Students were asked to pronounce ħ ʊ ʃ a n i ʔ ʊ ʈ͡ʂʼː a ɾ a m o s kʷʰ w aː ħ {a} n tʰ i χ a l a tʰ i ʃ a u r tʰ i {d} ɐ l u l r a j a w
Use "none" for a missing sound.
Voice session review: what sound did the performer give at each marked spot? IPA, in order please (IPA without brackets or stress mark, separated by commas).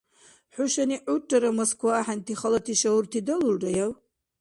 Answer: a, d